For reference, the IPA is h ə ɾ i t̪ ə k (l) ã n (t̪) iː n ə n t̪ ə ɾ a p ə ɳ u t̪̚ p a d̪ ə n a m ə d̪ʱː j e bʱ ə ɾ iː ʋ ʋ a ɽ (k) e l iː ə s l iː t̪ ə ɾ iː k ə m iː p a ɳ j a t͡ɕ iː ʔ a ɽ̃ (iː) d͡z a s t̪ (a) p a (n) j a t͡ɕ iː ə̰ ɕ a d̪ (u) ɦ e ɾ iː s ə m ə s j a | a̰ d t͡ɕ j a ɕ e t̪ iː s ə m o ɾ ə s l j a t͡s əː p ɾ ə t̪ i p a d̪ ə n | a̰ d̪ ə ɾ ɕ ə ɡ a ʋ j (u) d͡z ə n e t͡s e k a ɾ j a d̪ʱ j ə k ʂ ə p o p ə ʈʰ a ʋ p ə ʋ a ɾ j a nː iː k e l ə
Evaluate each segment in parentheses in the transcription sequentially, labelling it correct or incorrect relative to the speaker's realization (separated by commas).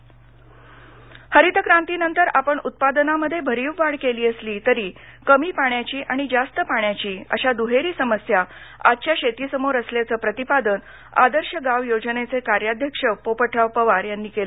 incorrect, correct, correct, incorrect, incorrect, incorrect, correct, incorrect